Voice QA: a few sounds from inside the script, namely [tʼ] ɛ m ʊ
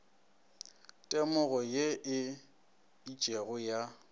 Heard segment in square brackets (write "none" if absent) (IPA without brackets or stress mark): tʼ